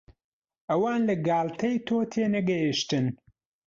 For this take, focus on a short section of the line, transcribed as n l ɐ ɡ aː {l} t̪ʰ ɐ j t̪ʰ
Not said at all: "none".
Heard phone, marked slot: l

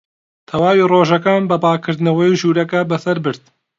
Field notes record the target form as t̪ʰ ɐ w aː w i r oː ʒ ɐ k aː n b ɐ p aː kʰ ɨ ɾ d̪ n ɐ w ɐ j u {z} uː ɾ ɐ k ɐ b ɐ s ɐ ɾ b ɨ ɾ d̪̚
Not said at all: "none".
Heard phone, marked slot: ʒ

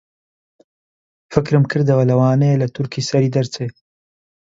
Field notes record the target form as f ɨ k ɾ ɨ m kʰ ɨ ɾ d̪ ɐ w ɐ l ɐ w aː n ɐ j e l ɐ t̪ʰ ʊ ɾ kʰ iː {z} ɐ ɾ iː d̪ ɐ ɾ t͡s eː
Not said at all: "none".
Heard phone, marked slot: s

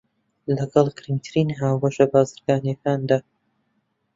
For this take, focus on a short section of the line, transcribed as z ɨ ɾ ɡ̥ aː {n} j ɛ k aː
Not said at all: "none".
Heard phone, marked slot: n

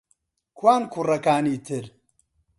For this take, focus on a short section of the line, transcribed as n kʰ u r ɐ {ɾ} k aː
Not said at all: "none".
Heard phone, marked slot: none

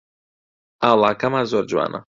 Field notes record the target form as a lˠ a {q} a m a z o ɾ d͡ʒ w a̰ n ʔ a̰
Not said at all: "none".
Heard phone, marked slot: k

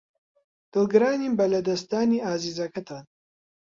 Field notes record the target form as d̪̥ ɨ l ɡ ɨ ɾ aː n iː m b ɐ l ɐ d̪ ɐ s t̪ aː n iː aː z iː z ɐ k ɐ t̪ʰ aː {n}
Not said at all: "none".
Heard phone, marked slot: n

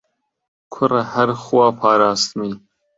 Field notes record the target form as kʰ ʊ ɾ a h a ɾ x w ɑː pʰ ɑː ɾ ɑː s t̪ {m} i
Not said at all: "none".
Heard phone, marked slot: m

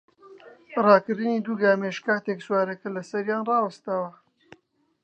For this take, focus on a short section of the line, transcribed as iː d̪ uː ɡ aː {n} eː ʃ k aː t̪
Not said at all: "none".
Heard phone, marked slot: m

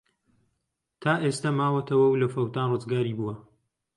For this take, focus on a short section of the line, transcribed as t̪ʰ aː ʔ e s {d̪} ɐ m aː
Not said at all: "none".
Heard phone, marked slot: t̪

